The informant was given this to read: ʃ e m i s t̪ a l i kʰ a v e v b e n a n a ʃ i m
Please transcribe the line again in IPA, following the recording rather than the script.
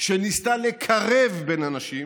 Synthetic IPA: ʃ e n i s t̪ a l e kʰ a ʁ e v b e n a n a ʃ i m